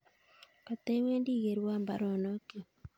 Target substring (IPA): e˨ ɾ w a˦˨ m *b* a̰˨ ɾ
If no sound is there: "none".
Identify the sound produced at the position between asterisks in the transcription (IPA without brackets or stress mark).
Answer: b